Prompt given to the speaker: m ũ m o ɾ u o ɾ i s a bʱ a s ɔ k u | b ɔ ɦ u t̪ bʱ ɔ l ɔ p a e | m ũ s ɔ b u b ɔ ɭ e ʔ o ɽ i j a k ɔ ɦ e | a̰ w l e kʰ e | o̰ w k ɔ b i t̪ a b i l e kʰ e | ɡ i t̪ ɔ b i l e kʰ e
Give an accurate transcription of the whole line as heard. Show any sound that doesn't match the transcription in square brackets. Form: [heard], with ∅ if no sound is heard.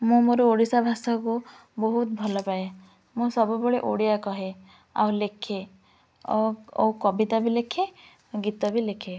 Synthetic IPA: m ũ m o ɾ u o [ɽ] i s a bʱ a s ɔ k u | b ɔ ɦ u t̪ bʱ ɔ l ɔ p a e | m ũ s ɔ b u b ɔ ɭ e ʔ o ɽ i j a k ɔ ɦ e | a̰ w l e kʰ e | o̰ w k ɔ b i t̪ a b i l e kʰ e | ɡ i t̪ ɔ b i l e kʰ e